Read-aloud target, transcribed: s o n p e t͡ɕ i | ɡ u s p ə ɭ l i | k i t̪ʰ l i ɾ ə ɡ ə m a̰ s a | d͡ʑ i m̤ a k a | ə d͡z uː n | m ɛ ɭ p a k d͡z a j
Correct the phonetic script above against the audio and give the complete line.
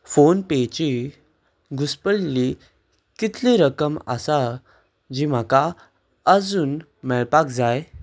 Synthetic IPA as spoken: f o n p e t͡ɕ i | ɡ u s p ə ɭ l i | k i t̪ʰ l i ɾ ə k ə m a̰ s a | d͡ʑ i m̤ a k a | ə d͡z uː n | m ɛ ɭ p a k d͡z a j